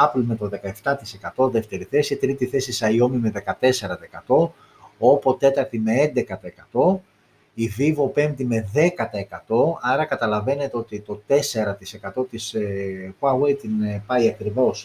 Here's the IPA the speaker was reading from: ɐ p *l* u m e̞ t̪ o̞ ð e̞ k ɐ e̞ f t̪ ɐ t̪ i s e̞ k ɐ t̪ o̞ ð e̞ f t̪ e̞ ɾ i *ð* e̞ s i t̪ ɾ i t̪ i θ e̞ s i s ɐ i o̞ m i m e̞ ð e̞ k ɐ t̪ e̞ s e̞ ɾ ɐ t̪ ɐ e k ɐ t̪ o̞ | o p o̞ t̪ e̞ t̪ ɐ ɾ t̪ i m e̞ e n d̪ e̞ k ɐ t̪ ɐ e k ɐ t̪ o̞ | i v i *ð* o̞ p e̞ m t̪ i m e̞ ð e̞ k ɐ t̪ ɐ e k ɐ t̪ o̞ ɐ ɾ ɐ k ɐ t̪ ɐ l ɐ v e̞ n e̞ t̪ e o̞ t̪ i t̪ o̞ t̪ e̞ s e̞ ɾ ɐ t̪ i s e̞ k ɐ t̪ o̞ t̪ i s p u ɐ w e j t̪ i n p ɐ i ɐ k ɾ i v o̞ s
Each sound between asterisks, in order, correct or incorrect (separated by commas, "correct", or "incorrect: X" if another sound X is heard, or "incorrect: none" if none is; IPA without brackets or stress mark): correct, incorrect: θ, incorrect: v